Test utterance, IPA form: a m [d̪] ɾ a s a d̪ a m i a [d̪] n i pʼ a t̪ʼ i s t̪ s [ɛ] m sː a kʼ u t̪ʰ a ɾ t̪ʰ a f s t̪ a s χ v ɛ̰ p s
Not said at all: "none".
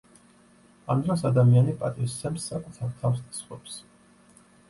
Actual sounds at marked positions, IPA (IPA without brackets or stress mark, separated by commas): d̪, none, ɛ